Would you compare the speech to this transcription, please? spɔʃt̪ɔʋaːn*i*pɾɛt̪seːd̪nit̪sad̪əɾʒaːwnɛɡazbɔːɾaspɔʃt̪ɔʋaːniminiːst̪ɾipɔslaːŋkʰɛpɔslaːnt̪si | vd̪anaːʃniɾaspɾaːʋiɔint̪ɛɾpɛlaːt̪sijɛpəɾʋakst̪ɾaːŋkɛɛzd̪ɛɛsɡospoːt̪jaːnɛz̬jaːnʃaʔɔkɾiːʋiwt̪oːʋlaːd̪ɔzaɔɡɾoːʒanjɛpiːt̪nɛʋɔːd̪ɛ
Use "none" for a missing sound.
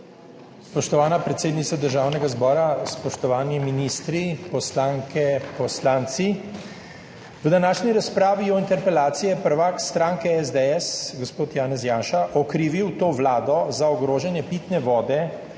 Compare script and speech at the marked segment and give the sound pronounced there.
a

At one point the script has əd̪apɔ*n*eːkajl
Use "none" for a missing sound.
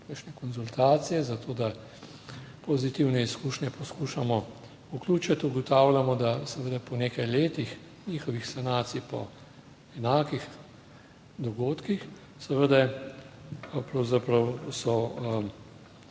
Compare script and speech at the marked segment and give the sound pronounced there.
n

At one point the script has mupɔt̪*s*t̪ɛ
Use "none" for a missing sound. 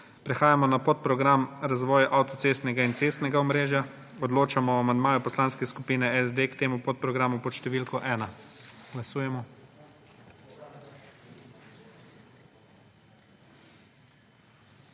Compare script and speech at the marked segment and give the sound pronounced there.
ʃ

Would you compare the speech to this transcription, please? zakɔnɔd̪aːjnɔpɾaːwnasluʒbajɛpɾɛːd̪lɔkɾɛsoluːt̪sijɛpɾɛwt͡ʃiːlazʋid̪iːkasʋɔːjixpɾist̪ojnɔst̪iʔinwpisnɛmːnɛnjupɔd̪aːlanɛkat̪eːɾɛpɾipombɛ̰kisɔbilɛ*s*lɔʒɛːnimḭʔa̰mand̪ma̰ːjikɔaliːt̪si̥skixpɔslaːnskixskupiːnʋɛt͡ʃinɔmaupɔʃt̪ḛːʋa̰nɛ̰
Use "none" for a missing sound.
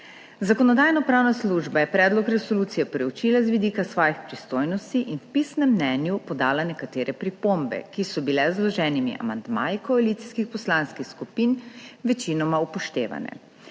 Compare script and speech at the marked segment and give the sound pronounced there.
z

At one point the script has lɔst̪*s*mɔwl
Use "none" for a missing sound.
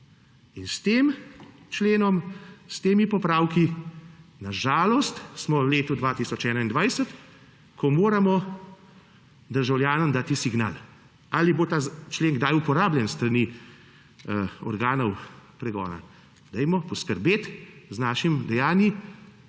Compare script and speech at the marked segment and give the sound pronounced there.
s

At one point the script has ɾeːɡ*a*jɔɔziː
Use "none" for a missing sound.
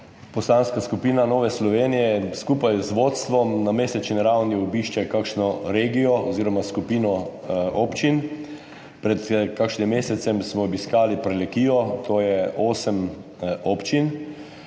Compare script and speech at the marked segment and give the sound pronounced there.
i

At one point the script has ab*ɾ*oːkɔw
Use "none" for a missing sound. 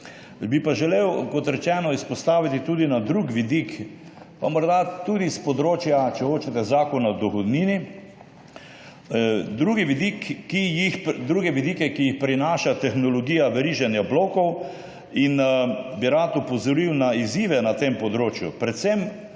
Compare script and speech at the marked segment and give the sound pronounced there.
l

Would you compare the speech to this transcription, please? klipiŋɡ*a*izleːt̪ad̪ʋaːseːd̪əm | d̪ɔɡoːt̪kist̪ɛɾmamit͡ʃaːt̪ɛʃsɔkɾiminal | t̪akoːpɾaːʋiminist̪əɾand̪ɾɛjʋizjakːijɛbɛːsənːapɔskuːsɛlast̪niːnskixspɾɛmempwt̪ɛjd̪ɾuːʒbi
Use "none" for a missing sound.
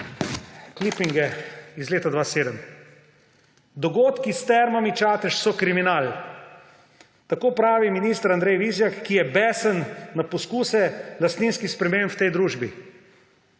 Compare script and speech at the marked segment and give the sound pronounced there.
ɛ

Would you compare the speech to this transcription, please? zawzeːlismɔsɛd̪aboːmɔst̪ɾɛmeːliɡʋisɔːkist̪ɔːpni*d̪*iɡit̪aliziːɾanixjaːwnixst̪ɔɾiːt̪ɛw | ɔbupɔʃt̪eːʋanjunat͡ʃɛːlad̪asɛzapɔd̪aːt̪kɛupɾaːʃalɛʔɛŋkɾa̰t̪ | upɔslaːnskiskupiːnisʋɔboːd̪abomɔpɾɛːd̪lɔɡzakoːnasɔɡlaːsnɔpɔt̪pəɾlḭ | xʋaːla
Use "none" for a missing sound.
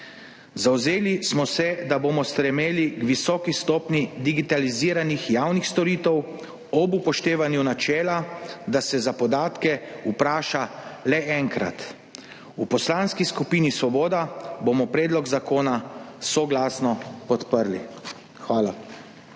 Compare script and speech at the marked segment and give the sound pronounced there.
d̪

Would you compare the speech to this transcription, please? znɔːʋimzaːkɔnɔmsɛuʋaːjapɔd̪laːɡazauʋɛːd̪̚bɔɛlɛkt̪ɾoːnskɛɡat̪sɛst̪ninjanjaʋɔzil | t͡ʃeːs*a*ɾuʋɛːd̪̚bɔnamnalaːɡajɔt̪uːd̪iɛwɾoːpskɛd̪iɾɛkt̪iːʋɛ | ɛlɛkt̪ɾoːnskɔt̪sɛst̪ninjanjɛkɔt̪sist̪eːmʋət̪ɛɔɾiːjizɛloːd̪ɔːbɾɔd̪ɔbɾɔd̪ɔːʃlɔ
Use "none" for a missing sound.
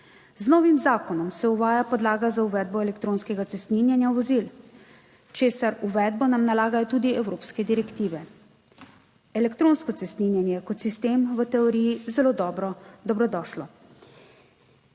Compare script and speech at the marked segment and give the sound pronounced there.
a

